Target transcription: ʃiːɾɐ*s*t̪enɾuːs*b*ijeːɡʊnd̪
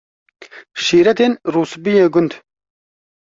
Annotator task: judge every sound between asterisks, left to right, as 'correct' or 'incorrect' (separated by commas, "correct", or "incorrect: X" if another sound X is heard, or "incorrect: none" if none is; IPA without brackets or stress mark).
incorrect: none, correct